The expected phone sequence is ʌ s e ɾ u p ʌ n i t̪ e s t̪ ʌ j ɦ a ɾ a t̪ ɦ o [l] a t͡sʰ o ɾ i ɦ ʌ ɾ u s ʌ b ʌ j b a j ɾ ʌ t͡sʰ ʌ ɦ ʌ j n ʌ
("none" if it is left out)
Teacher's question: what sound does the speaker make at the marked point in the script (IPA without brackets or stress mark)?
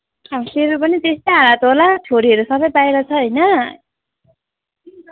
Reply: l